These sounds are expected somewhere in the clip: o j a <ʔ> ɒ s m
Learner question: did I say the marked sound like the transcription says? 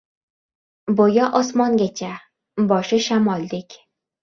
yes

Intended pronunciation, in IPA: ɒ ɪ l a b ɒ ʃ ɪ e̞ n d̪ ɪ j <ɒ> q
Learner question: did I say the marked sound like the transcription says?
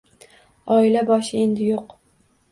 no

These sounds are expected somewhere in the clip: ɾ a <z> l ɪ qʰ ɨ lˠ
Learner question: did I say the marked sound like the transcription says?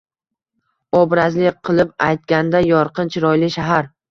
yes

